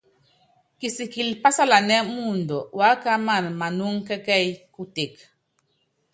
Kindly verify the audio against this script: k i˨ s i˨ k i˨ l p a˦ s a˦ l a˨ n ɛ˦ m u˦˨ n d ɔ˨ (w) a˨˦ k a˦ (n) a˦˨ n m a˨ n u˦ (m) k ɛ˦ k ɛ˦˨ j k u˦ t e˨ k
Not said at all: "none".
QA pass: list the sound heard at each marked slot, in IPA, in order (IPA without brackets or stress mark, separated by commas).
w, m, ŋ